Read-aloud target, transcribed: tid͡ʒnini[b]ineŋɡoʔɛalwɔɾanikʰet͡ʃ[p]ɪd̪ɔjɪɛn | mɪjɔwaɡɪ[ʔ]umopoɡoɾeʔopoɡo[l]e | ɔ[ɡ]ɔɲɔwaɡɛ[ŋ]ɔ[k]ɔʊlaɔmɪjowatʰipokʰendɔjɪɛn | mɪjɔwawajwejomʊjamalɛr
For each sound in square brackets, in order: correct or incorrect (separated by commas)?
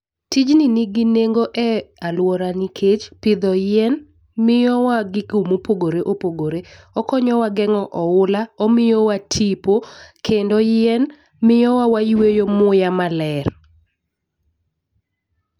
incorrect, correct, incorrect, incorrect, incorrect, correct, incorrect